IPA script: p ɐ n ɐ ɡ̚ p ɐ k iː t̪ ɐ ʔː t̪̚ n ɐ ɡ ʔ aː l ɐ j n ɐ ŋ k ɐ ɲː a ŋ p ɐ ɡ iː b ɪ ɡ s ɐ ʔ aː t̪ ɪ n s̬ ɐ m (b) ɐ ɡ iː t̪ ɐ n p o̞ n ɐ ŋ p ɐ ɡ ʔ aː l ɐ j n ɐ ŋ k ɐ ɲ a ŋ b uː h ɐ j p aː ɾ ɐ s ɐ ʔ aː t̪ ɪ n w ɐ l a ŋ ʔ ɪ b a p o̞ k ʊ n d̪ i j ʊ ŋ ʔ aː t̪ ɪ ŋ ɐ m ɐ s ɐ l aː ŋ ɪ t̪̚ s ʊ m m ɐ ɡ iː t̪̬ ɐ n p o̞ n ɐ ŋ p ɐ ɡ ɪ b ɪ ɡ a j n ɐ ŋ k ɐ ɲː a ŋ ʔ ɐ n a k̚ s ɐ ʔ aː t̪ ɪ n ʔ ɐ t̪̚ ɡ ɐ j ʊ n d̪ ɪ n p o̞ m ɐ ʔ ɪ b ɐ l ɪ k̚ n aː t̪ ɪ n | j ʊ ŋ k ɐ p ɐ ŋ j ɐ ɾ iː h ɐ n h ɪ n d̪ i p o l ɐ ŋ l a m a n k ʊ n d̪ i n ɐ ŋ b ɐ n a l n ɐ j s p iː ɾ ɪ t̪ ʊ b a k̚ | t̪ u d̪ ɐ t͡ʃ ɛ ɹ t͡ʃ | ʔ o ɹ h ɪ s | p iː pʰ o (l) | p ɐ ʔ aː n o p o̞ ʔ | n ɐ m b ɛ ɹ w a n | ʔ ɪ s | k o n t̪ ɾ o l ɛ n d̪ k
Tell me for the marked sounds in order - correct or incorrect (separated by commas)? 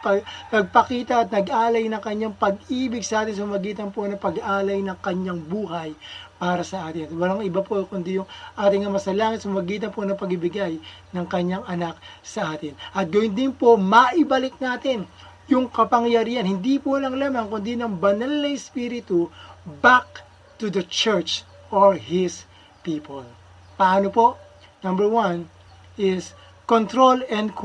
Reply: incorrect, correct